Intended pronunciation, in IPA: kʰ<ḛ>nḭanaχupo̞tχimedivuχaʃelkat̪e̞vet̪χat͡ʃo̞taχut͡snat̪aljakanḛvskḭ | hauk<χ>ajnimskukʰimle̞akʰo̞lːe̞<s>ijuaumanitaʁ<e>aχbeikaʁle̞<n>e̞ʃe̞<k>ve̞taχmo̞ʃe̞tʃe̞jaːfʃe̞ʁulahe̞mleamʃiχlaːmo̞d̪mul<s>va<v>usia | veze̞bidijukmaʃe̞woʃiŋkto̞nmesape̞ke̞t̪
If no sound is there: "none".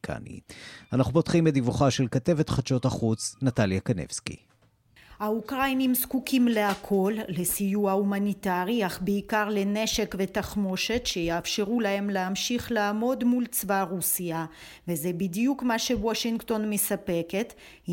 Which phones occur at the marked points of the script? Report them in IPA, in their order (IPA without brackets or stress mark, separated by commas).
a̰, ʁ, s, i, n, k, t͡s, ʁ